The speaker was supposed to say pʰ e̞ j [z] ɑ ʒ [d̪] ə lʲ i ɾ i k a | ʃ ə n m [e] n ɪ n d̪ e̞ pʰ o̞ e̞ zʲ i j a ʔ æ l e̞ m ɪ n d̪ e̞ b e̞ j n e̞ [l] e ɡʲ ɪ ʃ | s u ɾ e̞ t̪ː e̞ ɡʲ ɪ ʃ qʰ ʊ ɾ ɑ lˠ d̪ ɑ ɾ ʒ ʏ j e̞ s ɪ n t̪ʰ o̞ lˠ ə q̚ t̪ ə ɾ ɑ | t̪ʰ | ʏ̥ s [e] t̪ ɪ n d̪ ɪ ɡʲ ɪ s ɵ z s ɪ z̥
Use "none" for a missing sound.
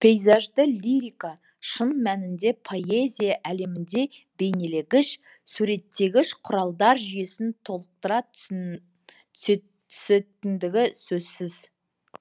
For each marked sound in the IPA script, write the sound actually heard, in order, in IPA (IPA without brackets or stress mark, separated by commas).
z, d̪, æ, l, e